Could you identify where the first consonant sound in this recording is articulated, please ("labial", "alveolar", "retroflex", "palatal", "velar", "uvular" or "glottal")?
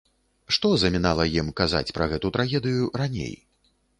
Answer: retroflex